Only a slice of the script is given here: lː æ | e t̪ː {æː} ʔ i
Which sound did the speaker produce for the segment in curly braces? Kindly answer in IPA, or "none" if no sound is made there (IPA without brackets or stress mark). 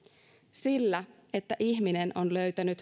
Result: æ